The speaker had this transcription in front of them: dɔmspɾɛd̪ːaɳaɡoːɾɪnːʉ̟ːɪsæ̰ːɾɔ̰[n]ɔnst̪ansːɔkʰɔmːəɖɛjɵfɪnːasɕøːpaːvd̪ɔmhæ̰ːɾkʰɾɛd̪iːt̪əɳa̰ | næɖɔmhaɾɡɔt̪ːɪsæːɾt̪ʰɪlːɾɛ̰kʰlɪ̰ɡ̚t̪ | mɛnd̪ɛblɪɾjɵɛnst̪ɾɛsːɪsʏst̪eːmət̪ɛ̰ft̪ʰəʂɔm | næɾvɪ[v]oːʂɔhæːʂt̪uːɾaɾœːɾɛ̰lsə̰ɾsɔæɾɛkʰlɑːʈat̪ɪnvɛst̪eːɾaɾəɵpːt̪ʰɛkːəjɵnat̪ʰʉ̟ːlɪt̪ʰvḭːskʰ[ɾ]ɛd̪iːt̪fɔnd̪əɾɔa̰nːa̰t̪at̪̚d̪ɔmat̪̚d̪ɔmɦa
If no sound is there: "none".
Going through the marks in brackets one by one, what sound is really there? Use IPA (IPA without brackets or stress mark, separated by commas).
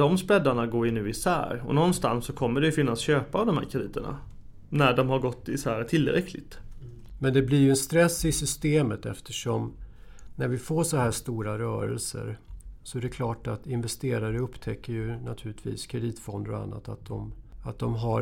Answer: n, f, ɾ